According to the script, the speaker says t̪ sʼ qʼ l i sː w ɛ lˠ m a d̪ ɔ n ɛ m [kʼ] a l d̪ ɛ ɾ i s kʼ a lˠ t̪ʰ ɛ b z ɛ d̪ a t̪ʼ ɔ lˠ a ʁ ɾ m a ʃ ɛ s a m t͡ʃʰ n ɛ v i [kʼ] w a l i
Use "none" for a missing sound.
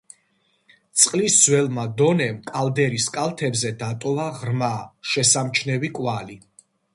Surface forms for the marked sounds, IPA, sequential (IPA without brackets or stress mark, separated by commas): kʼ, kʼ